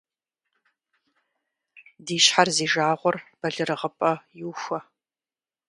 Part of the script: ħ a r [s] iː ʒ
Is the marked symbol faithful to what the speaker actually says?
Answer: no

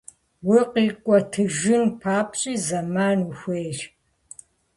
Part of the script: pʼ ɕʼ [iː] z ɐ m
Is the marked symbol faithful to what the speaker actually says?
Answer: yes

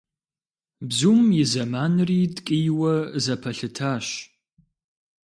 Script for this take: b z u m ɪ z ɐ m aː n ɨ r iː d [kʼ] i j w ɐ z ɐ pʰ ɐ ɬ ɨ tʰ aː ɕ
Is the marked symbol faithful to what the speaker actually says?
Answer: yes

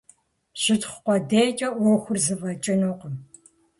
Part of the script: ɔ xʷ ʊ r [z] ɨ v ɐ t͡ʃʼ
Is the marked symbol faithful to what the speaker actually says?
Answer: yes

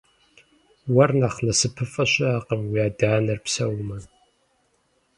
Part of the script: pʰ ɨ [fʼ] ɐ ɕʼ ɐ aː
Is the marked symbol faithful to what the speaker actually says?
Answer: yes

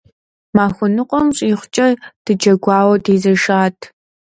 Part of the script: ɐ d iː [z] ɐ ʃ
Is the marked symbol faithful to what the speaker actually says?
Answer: yes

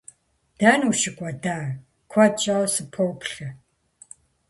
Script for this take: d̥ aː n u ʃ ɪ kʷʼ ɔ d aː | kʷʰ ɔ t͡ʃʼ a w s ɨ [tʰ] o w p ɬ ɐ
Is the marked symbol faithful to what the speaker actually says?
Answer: no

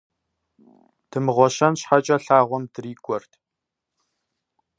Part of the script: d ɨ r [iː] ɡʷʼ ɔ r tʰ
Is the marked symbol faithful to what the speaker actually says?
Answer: yes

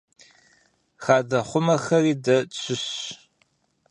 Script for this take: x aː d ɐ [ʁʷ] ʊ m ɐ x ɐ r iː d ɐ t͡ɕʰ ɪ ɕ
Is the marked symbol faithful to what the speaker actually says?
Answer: no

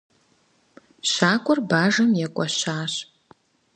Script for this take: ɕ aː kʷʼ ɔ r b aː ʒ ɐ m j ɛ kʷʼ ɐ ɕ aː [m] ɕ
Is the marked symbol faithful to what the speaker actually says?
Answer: no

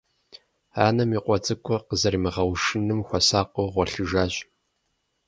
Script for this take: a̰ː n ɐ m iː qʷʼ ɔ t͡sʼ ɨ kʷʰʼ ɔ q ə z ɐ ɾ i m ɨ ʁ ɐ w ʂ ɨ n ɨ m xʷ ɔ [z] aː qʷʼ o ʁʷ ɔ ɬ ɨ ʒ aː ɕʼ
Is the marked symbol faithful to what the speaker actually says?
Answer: no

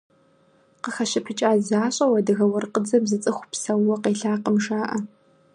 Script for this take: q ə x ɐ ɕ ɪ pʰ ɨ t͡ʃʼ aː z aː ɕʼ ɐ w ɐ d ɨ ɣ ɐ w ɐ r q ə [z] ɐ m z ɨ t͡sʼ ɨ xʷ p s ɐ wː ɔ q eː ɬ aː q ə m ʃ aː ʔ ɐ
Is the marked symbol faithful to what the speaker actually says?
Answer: no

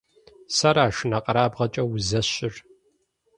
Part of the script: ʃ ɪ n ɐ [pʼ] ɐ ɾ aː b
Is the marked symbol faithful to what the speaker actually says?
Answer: no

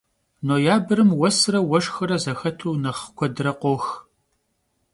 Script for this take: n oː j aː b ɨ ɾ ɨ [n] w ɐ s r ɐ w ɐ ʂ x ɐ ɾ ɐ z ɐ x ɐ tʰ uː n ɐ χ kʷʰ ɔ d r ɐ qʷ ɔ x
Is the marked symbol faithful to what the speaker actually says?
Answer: no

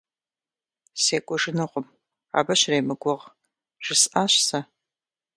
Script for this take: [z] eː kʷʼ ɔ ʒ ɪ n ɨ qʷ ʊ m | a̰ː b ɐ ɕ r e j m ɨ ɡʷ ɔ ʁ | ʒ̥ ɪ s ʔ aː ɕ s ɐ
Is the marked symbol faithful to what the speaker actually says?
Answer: no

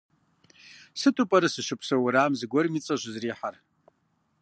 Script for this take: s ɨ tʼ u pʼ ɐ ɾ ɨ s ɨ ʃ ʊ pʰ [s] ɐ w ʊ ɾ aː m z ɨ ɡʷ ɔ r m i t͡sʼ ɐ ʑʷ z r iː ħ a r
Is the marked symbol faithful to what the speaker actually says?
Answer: yes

